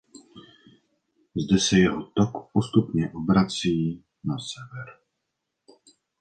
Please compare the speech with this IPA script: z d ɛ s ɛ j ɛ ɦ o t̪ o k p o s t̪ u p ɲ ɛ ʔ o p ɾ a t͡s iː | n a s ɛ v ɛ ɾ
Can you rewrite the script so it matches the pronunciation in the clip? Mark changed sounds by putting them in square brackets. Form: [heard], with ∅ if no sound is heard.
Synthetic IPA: z d ɛ s ɛ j ɛ ɦ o t̪ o k p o s t̪ u p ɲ ɛ ʔ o [b] ɾ a t͡s iː | n a s ɛ v ɛ ɾ